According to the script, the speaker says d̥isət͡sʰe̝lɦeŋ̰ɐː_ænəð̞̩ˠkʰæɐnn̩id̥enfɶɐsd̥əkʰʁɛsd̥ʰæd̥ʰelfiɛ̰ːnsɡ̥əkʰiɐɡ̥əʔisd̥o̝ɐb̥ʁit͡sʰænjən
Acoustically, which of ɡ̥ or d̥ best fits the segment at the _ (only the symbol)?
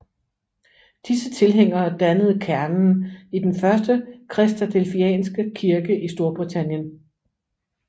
d̥